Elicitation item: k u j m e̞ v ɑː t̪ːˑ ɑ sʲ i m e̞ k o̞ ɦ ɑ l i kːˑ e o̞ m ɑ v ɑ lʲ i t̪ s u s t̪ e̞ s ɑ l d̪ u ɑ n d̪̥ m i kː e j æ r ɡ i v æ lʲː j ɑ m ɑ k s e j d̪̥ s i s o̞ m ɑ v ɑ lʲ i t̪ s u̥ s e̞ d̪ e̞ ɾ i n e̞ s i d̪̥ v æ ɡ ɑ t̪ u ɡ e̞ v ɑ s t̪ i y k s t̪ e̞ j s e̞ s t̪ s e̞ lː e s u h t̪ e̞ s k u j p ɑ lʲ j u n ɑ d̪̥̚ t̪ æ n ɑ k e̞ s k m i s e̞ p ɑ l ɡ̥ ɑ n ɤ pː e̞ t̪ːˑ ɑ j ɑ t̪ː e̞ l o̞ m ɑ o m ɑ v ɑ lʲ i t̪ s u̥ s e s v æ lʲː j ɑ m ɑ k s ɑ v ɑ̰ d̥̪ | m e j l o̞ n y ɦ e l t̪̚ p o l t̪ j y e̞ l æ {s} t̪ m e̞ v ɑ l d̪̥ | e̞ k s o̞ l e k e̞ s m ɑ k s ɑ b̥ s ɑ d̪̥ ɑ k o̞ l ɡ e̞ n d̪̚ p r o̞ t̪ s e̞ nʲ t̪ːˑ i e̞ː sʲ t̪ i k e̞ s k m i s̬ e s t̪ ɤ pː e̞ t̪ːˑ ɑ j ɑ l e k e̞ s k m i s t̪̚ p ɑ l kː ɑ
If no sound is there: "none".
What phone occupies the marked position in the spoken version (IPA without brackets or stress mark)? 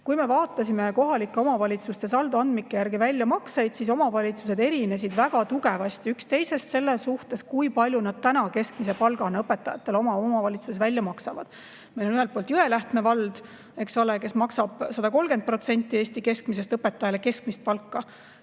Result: h